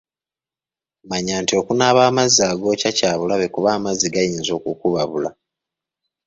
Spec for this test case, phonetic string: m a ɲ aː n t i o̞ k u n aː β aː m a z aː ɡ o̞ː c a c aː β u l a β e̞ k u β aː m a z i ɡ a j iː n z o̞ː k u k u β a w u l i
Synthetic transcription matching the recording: m a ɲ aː n t i o̞ k u n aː β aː m a z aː ɡ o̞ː c a c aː β u l a β e̞ k u β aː m a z i ɡ a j iː n z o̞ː k u k u β a β u l a

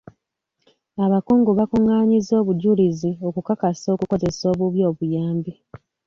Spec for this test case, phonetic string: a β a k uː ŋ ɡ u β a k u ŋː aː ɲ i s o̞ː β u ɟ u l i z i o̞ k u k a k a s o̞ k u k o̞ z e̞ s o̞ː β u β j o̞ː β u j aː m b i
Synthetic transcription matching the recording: a β a k uː ŋ ɡ u β a k u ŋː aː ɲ i z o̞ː β u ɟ u l i z i o̞ k u k a k a s o̞ k u k o̞ z e̞ s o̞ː β u β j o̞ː β u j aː m b i

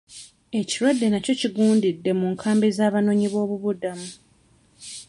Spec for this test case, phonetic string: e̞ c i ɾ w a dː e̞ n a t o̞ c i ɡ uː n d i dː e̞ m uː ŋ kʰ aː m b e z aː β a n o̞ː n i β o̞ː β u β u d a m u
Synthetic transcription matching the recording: e̞ c i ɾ w a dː e̞ n a c o̞ c i ɡ uː n d i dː e̞ m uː ŋ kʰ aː m b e z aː β a n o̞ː ɲ i β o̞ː β u β u d a m u

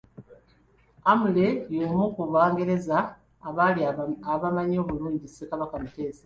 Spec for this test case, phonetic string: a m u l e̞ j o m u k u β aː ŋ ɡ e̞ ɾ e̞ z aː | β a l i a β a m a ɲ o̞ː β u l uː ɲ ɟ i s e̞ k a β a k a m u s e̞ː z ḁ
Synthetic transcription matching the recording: a m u l e̞ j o m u k u β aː ŋ ɡ e̞ ɾ e̞ z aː | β a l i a β a m a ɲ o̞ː β u l uː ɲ ɟ i s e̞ k a β a k a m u t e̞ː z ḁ

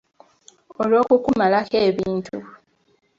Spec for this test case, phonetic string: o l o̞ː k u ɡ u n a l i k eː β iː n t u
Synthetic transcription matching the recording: o l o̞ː k u k u m a l a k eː β iː n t u

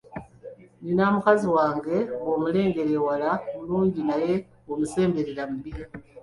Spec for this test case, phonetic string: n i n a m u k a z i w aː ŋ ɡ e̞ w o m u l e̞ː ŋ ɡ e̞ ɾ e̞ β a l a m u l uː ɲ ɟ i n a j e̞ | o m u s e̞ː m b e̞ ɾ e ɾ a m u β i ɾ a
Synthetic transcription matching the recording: n i n a m u k a z i w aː ŋ ɡ e̞ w o m u l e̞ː ŋ ɡ e̞ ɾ e̞ w a l a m u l uː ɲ ɟ i n a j e̞ | o m u s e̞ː m b e̞ ɾ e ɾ a m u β i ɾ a

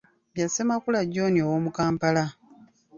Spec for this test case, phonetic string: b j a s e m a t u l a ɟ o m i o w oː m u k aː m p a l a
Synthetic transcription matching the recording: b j a s e m a k u l a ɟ o n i o w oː m u k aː m p a l a

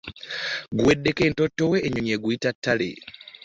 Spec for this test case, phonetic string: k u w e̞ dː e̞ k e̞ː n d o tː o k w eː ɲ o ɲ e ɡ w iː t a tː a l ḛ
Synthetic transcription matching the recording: ɡ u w e̞ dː e̞ k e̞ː n t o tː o w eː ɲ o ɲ e ɡ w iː t a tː a l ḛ

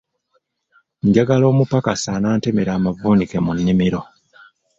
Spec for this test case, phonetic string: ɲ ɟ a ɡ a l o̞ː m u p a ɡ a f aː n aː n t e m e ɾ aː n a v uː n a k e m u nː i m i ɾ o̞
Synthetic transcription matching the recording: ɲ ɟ a ɡ a l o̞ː m u p a k a s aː n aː n t e m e ɾ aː m a v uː n i k e m u nː i m i ɾ o̞

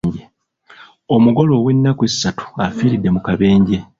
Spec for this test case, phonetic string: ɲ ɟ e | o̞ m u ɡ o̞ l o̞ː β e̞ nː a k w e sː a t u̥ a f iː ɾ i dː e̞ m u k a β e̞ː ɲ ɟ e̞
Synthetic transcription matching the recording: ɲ ɟ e | o̞ m u ɡ o̞ l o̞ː w e̞ nː a k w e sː a t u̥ a f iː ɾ i dː e̞ m u k a β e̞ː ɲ ɟ e̞

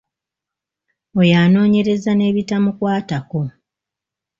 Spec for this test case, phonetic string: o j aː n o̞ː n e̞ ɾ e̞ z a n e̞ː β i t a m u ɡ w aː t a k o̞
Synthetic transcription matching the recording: o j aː n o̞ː ɲ e̞ ɾ e̞ z a n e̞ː β i t a m u k w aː t a k o̞

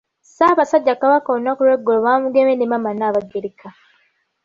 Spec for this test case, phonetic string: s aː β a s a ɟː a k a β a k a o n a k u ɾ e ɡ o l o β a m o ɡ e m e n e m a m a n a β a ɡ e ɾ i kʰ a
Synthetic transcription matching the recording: s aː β a s a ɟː a k a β a k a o n a k u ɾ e ɡ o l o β a m u ɡ e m e n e m a m a n a β a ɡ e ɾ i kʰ a

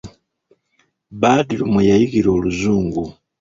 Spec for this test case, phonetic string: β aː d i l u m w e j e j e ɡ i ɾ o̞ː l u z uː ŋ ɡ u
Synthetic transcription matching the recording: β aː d i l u m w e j a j i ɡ i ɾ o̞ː l u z uː ŋ ɡ u

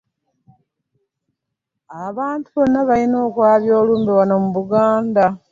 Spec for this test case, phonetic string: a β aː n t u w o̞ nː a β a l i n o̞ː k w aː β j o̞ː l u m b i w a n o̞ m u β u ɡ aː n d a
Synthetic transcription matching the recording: a β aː n t u β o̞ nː a β a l i n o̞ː k w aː β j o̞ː l uː m b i w a n o̞ m u β u ɡ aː n d a

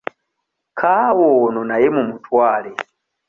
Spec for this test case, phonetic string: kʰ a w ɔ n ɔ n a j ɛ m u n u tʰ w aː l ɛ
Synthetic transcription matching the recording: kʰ a w ɔ n ɔ n a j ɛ m u m u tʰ w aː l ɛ

